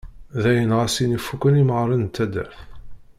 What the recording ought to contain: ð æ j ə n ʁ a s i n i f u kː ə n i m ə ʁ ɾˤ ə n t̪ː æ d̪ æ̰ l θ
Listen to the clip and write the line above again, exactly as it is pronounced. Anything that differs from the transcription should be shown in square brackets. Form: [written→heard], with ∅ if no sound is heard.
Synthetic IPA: ð æ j ə n ʁ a s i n i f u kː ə n i m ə ʁ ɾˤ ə n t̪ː æ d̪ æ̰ [l→ɾ] θ